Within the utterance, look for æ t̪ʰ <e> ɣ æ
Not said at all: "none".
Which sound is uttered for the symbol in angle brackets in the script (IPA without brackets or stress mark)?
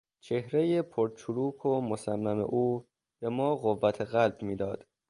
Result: e